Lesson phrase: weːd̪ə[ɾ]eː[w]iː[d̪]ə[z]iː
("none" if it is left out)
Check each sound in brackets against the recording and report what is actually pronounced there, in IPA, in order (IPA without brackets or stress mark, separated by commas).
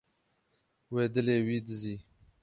l, w, d̪, z